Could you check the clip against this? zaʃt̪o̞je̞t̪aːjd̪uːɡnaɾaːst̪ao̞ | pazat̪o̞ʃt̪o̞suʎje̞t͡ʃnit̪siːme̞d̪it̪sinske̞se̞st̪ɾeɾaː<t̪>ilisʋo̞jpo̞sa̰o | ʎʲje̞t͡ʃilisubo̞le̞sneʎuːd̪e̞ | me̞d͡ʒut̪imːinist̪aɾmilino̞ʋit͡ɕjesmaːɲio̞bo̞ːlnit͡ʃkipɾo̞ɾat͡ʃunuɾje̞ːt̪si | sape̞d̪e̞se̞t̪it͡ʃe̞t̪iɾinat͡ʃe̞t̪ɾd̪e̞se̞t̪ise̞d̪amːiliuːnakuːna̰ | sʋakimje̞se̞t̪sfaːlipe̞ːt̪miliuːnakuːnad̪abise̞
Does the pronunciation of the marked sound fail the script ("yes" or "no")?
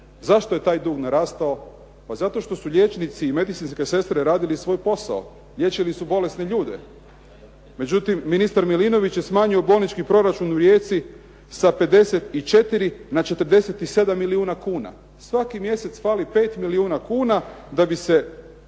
yes